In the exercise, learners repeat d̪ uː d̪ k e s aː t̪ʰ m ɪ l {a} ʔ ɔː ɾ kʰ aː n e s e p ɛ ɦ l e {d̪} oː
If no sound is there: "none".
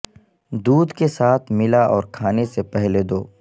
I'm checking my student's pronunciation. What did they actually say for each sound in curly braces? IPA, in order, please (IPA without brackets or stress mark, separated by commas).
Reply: a, d̪